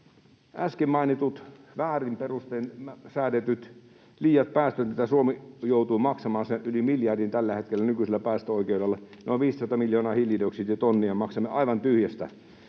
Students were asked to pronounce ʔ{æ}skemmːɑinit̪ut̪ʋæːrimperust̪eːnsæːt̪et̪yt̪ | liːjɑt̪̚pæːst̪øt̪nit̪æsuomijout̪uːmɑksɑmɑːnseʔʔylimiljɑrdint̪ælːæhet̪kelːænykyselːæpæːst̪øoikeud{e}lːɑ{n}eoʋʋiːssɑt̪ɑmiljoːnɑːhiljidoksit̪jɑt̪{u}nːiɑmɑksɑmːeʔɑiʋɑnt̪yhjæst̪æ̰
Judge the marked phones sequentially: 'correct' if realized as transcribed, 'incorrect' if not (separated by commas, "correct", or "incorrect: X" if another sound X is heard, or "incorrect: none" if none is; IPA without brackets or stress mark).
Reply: correct, correct, correct, incorrect: o